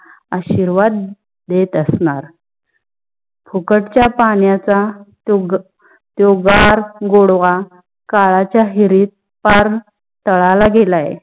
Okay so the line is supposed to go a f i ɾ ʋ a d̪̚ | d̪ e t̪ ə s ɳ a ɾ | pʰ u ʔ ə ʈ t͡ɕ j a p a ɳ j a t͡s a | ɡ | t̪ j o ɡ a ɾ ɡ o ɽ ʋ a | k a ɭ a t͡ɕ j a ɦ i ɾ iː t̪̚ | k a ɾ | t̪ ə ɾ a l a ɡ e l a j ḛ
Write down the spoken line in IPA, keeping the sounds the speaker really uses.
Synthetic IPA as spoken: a ɕ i ɾ ʋ a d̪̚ | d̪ e t̪ ə s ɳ a ɾ | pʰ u k ə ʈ t͡ɕ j a p a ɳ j a t͡s a | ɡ | t̪ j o ɡ a ɾ ɡ o ɽ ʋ a | k a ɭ a t͡ɕ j a ɦ i ɾ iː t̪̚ | p a ɾ | t̪ ə ɭ a l a ɡ e l a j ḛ